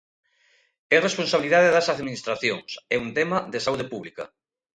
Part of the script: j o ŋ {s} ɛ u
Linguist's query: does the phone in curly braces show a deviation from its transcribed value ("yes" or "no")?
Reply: no